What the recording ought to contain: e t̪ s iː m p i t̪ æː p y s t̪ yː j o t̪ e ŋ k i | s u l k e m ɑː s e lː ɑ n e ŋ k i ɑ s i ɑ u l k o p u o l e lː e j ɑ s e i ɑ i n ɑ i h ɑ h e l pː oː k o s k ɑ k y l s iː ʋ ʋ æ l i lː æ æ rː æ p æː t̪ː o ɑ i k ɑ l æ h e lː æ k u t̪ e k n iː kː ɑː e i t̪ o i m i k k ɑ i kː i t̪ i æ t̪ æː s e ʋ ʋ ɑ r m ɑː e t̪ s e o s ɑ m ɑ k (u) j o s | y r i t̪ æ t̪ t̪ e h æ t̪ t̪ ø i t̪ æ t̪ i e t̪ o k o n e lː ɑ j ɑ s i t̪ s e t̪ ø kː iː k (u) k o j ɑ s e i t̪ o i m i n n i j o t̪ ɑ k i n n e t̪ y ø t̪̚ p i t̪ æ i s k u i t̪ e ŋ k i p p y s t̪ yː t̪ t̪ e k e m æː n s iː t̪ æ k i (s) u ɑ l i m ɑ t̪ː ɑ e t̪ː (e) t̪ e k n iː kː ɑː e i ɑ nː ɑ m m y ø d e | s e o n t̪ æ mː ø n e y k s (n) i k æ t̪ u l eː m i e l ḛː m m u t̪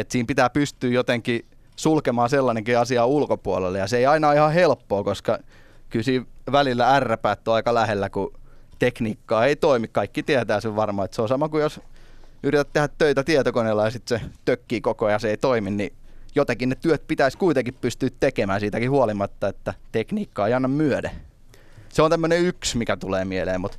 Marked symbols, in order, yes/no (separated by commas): yes, no, no, no, no